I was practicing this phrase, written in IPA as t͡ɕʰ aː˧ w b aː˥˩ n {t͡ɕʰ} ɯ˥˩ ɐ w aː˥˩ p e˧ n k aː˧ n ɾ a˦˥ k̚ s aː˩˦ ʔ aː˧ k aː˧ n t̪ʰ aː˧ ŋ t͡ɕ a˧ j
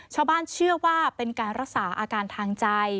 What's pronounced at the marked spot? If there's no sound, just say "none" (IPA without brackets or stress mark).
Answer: t͡ɕʰ